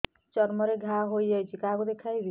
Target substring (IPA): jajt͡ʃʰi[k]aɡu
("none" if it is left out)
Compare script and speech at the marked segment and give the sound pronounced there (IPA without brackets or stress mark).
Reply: k